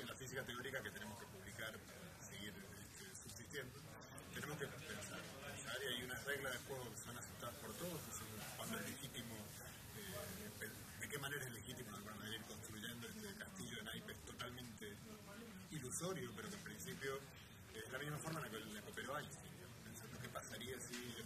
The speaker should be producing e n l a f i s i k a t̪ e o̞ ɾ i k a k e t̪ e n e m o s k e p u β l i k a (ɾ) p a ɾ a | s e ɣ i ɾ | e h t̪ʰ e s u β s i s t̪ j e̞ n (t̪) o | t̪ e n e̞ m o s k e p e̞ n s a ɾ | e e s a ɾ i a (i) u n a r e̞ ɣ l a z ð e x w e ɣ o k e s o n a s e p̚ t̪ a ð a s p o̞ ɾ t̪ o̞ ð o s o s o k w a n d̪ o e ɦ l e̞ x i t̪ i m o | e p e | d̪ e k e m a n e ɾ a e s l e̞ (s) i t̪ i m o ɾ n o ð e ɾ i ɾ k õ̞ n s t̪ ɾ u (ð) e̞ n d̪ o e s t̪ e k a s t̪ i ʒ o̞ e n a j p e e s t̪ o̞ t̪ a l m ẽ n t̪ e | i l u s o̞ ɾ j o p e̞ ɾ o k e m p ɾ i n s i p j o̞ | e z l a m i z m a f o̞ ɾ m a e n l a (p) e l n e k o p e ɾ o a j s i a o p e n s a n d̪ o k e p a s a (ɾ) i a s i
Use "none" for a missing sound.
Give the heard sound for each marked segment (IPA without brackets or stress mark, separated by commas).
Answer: ɾ, d̪, j, x, ʒ, k, ɾ